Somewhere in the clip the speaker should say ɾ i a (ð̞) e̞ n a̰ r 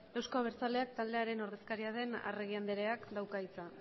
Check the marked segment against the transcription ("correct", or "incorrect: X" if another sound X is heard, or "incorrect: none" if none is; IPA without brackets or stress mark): correct